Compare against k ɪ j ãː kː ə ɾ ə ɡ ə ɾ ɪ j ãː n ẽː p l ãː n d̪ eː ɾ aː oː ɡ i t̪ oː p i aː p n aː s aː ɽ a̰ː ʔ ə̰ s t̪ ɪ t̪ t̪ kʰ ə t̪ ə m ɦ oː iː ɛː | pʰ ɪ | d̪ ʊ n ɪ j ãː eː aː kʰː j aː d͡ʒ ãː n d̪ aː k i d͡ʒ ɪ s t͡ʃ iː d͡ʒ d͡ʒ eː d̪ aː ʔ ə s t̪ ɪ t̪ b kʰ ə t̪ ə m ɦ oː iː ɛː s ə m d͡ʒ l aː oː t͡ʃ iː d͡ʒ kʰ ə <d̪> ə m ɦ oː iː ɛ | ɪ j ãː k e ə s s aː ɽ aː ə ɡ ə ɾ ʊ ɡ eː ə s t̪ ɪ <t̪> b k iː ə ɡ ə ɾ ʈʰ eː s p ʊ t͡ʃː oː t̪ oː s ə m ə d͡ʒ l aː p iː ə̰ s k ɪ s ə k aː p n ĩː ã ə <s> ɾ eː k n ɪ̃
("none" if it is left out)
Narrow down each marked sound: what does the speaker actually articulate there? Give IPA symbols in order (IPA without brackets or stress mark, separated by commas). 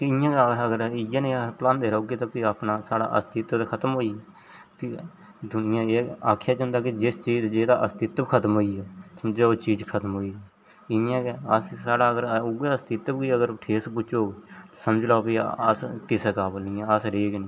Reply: t̪, t̪, s